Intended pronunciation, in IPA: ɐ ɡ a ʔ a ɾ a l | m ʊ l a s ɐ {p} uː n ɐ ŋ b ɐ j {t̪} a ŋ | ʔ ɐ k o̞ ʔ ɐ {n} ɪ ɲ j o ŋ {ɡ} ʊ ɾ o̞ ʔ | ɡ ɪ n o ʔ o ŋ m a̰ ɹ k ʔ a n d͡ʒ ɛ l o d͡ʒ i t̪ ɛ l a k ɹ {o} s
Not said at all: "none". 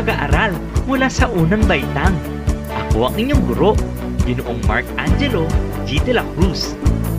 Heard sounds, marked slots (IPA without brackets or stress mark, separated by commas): ʔ, t̪, ŋ, ɡ, u